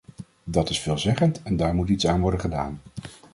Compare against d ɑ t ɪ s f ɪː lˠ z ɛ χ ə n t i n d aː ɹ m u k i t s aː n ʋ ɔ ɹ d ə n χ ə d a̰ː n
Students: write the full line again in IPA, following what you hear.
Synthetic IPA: d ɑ t ɪ s f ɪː lˠ z ɛ χ ə n t ɛ n d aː ɹ m u t i t s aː n ʋ ɔ ɹ d ə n χ ə d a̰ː n